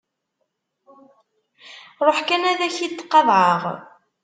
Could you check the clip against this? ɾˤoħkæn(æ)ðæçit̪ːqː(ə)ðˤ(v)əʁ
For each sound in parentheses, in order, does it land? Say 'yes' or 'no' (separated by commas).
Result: yes, no, no